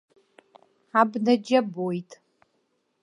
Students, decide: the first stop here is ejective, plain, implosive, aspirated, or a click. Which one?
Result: plain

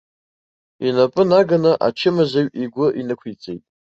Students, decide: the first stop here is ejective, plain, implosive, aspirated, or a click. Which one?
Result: ejective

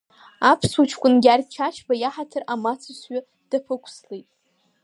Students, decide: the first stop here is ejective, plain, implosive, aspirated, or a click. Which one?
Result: aspirated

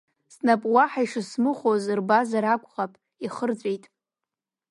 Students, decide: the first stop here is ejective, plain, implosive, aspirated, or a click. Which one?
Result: ejective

